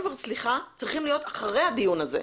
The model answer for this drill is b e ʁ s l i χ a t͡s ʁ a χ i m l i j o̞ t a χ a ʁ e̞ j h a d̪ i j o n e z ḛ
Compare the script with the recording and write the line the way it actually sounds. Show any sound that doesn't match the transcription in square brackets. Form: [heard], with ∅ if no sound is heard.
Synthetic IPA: [v] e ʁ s l i χ a t͡s ʁ [i] χ i m l i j o̞ t a χ a ʁ e̞ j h a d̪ i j [u] n [a] z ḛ